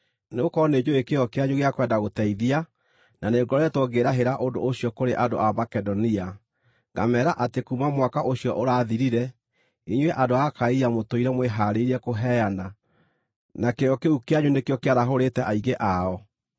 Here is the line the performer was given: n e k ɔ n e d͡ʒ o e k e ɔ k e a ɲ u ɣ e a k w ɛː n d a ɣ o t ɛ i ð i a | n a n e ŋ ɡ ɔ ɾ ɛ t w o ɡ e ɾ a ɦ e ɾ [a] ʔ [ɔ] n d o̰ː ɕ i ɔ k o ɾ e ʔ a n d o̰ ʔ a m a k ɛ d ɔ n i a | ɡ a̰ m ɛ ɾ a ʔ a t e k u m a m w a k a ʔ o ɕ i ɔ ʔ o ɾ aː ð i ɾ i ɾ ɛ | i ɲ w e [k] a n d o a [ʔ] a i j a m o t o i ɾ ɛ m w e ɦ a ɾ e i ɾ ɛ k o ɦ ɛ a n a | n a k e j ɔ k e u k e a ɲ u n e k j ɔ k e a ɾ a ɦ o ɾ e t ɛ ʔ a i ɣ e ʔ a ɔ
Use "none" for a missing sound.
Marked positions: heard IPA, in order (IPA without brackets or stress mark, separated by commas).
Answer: a, o, ʔ, k